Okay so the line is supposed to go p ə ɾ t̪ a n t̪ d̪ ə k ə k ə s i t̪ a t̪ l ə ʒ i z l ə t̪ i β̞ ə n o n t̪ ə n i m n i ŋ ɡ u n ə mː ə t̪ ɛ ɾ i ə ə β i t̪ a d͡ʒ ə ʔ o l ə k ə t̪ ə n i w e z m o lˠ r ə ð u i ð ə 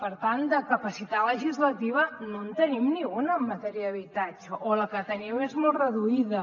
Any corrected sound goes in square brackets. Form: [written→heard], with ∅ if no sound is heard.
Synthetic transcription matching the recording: p ə ɾ t̪ a n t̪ d̪ ə k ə [k→p] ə s i t̪ a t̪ l ə ʒ i z l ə t̪ i β̞ ə n o n t̪ ə n i m n i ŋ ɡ u n ə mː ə t̪ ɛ ɾ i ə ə β i t̪ a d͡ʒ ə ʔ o l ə k ə t̪ ə n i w e z m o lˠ r ə ð u i ð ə